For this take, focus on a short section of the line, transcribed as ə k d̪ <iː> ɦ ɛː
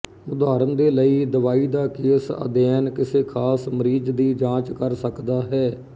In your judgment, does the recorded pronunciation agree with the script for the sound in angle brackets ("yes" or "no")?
no